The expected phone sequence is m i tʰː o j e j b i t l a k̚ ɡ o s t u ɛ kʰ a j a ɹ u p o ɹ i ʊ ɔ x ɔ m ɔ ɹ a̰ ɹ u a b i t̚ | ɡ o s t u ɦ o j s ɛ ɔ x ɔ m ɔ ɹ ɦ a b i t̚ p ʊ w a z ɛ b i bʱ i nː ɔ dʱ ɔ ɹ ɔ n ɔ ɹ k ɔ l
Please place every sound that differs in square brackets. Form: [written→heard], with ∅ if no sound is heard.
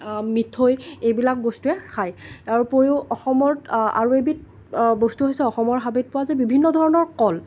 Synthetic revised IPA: m i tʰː o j e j b i [t→∅] l a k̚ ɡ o s t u ɛ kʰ a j a ɹ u p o ɹ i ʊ ɔ x ɔ m ɔ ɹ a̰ ɹ u [a→e] b i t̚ | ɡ o s t u ɦ o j s ɛ ɔ x ɔ m ɔ ɹ ɦ a b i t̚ p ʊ w a z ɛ b i bʱ i nː ɔ dʱ ɔ ɹ ɔ n ɔ ɹ k ɔ l